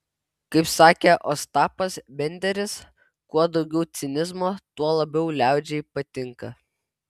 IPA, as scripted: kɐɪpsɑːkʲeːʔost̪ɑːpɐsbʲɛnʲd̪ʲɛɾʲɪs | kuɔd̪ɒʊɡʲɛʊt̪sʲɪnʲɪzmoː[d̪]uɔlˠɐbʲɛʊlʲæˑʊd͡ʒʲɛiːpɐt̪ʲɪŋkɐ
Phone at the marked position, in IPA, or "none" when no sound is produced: t̪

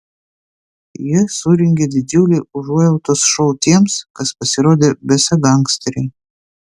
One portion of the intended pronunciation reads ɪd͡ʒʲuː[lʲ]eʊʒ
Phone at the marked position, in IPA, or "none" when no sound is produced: lʲ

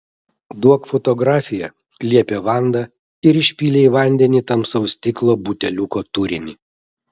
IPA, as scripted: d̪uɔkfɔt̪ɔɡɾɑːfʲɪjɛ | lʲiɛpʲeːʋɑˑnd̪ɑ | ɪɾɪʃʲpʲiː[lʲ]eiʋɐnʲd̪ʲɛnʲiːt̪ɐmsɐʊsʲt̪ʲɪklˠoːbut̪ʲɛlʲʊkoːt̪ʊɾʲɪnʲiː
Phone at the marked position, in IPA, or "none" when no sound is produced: lʲ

